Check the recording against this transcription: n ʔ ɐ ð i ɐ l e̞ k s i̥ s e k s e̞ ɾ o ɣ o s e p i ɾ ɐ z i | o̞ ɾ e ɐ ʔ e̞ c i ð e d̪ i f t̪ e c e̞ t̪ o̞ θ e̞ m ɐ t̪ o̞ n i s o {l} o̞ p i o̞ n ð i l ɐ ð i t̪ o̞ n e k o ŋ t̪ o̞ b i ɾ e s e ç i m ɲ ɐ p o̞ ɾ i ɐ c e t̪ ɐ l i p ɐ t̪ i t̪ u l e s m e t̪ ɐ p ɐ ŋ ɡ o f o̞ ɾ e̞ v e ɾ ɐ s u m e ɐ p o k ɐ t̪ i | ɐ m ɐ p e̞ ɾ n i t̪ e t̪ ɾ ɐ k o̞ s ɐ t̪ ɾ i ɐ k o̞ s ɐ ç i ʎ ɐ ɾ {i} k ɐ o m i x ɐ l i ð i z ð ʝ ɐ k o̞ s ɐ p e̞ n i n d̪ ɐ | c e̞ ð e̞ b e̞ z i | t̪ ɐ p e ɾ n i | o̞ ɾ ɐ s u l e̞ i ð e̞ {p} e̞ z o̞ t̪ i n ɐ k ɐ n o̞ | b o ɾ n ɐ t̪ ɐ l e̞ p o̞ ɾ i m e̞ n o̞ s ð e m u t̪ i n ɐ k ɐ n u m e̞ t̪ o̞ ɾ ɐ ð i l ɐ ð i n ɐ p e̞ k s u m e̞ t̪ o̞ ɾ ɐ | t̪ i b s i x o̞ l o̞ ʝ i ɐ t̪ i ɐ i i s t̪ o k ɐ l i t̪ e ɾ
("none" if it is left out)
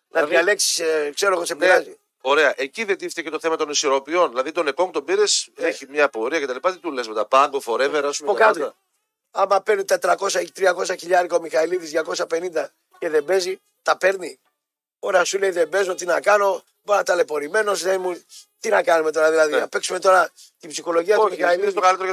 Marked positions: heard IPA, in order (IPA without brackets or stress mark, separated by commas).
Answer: ɾ, i, b